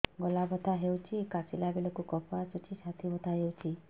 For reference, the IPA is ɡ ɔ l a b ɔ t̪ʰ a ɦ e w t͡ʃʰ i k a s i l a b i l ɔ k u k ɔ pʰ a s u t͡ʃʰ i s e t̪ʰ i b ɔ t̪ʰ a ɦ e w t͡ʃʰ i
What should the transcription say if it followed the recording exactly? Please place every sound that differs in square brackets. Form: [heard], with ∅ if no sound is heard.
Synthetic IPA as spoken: ɡ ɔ l a b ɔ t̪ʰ a ɦ e w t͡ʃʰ i k a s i l a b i l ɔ k u k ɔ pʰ a s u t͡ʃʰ i s [a] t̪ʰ i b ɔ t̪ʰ a ɦ e w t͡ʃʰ i